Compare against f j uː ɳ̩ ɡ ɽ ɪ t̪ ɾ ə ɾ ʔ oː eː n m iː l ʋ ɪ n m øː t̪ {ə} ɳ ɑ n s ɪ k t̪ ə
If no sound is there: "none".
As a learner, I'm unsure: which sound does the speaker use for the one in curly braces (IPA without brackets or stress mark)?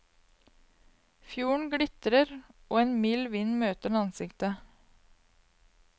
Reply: ə